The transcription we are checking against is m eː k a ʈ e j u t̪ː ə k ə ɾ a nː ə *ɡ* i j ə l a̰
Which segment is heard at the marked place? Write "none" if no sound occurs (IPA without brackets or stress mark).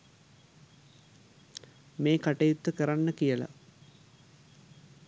k